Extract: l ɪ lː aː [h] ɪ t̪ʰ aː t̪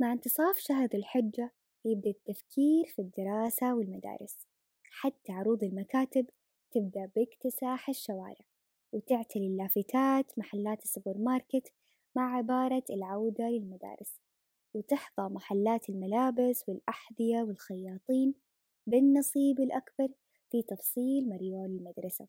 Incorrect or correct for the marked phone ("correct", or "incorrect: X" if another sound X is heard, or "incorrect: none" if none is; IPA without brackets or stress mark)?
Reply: incorrect: f